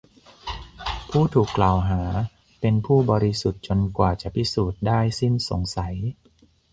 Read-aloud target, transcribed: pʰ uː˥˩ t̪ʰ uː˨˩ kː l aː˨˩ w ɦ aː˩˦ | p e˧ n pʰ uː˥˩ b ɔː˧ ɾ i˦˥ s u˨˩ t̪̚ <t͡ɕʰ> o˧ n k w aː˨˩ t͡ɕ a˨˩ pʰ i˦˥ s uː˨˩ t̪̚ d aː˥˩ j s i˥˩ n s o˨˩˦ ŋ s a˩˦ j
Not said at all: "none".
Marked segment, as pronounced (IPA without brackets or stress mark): t͡ɕ